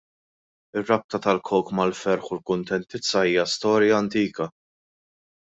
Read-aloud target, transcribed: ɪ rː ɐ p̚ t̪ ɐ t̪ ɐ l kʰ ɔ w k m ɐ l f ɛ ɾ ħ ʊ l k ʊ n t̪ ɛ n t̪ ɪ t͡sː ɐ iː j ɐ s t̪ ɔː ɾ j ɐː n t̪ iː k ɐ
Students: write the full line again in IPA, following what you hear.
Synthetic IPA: ɪ rː ɐ p̚ t̪ ɐ t̪ ɐ l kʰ ɔ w k m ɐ l f ɛ ɾ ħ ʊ l k ʊ n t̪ ɛ n t̪ ɪ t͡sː ɐ iː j ɐ s t̪ ɔː ɾ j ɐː n t̪ iː k ɐ